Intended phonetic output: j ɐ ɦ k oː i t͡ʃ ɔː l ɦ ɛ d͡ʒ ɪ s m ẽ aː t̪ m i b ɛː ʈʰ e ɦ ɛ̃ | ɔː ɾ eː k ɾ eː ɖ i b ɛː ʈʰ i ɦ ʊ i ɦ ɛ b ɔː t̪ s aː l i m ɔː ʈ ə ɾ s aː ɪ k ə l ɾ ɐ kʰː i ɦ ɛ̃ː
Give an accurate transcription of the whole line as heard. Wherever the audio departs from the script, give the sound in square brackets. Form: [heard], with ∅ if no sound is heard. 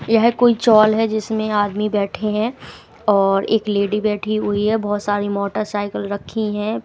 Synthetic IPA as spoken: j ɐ ɦ k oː i t͡ʃ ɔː l ɦ ɛ d͡ʒ ɪ s m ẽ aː [d̪] m i b ɛː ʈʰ e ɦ ɛ̃ | ɔː ɾ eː k [l] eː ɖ i b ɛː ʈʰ i ɦ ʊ i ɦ ɛ b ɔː t̪ s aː [ɾ] i m ɔː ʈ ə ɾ s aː ɪ k ə l ɾ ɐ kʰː i ɦ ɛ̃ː